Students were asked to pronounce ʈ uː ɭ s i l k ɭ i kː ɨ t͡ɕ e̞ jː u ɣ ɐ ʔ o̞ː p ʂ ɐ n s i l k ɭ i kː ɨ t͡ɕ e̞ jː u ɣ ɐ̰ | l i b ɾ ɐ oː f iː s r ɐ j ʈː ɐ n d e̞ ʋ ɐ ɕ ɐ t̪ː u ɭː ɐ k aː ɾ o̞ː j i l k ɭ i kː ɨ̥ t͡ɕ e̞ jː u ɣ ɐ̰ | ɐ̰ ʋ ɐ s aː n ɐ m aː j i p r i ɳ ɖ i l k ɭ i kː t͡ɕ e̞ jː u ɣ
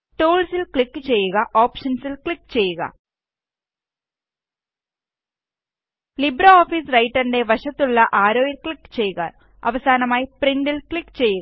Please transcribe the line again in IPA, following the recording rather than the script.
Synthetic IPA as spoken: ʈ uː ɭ s i l k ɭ i kː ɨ t͡ɕ e̞ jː u ɣ ɐ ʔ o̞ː p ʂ ɐ n s i l k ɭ i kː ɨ t͡ɕ e̞ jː u ɣ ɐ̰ | l i b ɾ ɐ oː f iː s r ɐ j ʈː ɐ n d e̞ ʋ ɐ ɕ ɐ t̪ː u ɭː ɐ ʔ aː ɾ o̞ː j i l k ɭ i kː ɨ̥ t͡ɕ e̞ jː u ɣ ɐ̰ | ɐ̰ ʋ ɐ s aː n ɐ m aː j i p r i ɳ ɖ i l k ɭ i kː t͡ɕ e̞ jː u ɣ

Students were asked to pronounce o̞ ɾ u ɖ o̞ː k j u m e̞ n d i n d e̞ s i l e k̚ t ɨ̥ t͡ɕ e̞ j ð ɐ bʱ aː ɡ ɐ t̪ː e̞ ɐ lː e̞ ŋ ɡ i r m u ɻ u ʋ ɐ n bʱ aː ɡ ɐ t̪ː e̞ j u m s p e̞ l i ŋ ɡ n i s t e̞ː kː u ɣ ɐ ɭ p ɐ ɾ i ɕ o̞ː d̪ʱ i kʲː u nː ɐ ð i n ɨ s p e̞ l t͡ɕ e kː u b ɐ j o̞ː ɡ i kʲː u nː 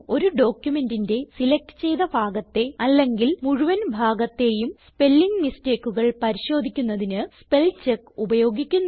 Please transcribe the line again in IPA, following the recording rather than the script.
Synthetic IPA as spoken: o̞ ɾ u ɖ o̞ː k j u m e̞ n d i n d e̞ s i l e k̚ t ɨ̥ t͡ɕ e̞ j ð ɐ bʱ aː ɡ ɐ t̪ː e̞ ɐ lː e̞ ŋ ɡ i l m u ɻ u ʋ ɐ n bʱ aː ɡ ɐ t̪ː e̞ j u m s p e̞ lː i ŋ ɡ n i s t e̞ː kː u ɣ ɐ ɭ p ɐ ɾ i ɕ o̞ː d̪ʱ i kʲː u nː ɐ ð i n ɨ s p e̞ l t͡ɕ e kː u b ɐ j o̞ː ɡ i kʲː u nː

